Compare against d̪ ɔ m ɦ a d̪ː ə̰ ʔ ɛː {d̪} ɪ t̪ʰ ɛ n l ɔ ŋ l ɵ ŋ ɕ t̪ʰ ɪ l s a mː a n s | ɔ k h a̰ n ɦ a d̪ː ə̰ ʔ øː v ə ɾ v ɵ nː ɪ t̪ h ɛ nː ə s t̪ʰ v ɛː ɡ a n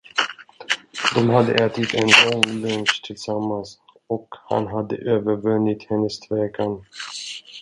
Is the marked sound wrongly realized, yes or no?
yes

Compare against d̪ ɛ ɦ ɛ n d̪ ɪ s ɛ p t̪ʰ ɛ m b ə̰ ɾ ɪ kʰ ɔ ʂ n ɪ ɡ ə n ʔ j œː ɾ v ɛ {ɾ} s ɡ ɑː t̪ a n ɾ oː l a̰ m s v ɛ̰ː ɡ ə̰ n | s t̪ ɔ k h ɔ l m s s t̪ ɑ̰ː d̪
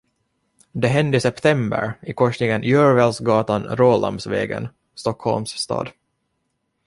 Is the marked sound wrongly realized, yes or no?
yes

